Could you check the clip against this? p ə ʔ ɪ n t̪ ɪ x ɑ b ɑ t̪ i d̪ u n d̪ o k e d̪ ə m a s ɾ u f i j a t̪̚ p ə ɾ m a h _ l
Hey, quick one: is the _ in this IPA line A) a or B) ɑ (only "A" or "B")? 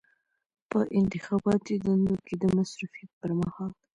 B